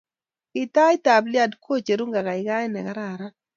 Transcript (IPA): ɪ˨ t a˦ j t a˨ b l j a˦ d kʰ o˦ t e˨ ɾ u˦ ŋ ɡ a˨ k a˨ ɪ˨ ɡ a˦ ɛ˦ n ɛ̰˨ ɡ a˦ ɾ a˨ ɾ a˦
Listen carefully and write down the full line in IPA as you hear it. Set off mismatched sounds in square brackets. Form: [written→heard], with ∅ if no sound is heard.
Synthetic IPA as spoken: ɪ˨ t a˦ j t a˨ b l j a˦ d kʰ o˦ [t→t͡ʃ] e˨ ɾ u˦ ŋ ɡ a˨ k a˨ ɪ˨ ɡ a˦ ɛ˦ n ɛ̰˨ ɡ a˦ ɾ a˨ ɾ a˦